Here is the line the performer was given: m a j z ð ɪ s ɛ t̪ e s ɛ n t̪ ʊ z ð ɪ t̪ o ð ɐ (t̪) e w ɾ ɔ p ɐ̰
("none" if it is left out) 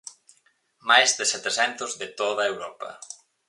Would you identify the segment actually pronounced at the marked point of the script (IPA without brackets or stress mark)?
none